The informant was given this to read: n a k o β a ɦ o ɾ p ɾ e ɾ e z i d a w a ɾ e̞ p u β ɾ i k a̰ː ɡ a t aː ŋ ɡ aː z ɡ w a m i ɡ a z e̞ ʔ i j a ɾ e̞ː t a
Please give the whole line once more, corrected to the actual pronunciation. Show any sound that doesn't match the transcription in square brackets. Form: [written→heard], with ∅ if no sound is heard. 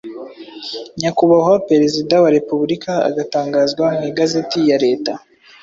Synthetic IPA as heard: [n→ɲ] a k [o→u] β a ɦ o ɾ p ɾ e ɾ e z i d a w a ɾ e̞ p u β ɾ i k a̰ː ɡ a t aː ŋ ɡ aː z ɡ w a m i ɡ a z e̞ [ʔ→t] i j a ɾ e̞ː t a